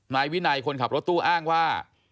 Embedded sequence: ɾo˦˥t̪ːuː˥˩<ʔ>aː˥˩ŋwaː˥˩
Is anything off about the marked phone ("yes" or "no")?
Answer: no